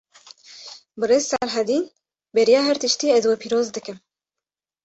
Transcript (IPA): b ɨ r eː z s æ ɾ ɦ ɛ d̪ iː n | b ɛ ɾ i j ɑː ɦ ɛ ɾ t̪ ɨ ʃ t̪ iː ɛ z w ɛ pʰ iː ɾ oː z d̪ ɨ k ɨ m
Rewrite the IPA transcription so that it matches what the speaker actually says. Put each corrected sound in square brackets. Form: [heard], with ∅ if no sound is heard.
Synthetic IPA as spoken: b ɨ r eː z s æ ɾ ɦ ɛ d̪ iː n | b ɛ ɾ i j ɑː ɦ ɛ ɾ t̪ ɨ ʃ t̪ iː ɛ z w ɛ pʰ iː ɾ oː z d̪ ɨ k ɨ m